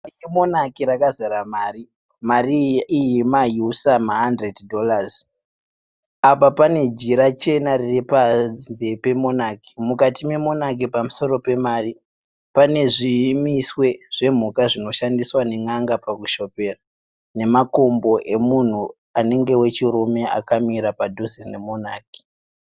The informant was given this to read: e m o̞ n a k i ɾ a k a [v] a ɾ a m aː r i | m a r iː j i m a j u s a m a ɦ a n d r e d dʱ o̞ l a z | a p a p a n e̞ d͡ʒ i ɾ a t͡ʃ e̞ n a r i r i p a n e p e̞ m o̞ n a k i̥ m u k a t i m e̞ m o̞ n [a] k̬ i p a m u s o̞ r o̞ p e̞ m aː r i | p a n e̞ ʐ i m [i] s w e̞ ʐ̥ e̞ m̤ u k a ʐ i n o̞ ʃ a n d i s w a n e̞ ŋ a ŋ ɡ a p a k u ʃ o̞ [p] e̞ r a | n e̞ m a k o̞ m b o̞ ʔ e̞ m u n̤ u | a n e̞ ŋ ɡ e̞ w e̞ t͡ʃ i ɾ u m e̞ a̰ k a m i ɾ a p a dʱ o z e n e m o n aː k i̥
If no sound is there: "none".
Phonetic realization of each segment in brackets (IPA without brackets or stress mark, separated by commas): z, a, i, p